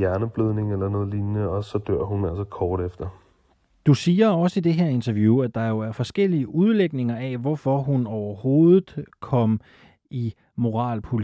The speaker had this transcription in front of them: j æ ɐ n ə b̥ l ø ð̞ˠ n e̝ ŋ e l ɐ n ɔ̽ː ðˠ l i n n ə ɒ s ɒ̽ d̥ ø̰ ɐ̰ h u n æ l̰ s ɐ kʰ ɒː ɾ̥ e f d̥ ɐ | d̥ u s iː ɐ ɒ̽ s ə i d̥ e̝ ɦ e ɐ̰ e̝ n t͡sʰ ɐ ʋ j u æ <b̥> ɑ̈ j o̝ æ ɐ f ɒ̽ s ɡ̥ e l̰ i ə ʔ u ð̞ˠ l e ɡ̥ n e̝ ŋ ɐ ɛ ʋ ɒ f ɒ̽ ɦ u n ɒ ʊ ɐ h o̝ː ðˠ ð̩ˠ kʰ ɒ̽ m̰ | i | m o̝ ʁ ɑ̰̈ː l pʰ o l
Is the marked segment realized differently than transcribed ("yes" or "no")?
yes